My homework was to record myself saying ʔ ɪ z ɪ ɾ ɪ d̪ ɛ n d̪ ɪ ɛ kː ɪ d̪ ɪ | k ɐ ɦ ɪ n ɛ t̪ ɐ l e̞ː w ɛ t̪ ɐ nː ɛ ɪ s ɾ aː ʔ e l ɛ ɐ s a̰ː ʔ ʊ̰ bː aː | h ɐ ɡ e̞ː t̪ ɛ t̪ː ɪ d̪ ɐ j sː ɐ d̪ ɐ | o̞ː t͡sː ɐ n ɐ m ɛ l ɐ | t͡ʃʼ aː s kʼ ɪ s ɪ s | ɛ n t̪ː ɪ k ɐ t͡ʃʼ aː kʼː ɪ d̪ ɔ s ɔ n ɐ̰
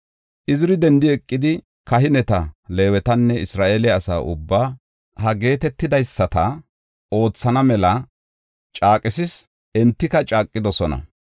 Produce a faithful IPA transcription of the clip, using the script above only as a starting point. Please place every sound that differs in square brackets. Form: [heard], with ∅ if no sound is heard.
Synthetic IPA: ʔ ɪ z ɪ ɾ ɪ d̪ ɛ n d̪ ɪ ɛ [kʼː] ɪ d̪ ɪ | k ɐ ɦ ɪ n ɛ t̪ ɐ l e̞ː w ɛ t̪ ɐ nː ɛ ɪ s ɾ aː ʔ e l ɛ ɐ s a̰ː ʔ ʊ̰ bː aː | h ɐ ɡ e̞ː t̪ ɛ t̪ː ɪ d̪ ɐ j sː ɐ [t̪] ɐ | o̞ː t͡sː ɐ n ɐ m ɛ l ɐ | t͡ʃʼ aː [∅] kʼ ɪ s ɪ s | ɛ n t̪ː ɪ k ɐ t͡ʃʼ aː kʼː ɪ d̪ ɔ s ɔ n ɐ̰